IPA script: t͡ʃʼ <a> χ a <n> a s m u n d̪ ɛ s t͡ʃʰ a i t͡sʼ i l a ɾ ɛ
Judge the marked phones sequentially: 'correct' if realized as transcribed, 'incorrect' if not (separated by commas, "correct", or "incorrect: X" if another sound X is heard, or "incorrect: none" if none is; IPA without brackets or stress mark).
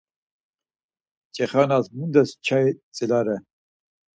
incorrect: ɛ, correct